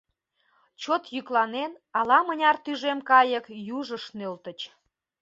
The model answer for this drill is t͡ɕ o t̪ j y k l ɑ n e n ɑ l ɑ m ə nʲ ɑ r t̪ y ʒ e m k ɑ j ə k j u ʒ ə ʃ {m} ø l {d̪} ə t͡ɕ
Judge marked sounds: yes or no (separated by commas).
no, no